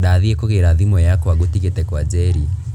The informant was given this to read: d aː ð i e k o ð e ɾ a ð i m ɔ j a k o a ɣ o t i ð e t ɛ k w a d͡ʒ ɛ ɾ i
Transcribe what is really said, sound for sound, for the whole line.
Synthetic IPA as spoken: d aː ð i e k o ɣ e ɾ a ð i m ɔ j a k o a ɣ o t i ɣ e t ɛ k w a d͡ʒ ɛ ɾ i